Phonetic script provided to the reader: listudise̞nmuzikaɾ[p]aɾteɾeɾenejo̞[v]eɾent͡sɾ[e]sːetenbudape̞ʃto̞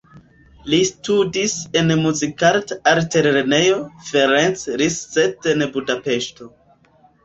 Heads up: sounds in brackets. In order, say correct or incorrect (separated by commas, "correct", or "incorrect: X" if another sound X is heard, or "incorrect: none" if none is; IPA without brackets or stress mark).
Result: incorrect: t, incorrect: f, incorrect: i